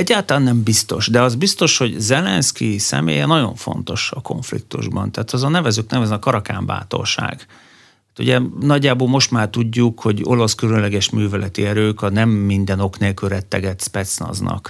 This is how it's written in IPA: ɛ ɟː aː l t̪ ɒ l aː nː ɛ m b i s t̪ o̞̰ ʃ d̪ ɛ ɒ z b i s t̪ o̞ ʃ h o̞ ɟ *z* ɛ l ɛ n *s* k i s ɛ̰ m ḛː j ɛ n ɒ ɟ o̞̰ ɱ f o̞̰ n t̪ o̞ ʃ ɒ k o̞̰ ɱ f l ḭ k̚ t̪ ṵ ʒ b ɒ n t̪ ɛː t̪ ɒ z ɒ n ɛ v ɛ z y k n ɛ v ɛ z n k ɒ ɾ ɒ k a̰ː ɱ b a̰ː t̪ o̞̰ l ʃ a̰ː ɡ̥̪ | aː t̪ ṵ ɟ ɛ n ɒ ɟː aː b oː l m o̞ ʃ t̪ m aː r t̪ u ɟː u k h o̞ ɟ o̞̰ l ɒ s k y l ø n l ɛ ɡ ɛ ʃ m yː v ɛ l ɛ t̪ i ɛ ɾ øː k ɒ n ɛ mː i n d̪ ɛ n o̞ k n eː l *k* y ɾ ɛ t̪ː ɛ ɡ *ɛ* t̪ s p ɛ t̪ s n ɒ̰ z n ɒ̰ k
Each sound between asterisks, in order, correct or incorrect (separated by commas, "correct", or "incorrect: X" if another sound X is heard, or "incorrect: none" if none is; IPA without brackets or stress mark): correct, correct, correct, correct